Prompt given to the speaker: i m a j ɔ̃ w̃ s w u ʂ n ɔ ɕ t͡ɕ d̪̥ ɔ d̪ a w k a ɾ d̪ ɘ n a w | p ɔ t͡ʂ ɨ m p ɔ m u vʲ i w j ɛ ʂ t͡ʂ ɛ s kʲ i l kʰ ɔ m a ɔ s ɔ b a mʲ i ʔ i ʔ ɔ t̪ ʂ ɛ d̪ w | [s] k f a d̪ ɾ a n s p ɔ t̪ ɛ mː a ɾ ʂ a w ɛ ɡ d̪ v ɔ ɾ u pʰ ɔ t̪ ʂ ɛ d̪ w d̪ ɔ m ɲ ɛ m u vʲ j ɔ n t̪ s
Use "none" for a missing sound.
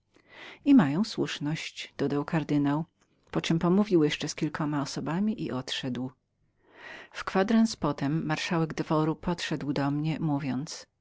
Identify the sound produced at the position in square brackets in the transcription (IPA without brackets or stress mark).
f